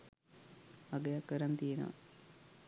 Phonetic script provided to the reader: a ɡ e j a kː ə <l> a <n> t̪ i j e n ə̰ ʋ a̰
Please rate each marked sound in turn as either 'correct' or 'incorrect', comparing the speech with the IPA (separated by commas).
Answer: incorrect, correct